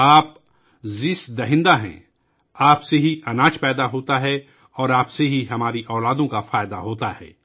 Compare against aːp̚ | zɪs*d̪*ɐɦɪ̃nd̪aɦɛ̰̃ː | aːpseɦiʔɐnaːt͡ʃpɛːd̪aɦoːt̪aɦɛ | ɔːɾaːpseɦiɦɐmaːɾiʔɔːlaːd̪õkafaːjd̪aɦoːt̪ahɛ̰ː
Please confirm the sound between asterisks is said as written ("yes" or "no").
yes